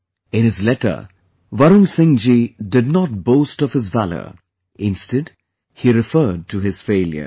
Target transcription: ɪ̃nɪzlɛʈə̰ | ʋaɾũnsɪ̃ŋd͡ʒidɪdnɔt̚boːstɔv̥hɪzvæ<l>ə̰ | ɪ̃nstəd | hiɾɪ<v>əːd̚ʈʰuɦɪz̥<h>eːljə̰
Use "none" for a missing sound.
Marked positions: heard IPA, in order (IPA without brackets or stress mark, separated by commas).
l, f, f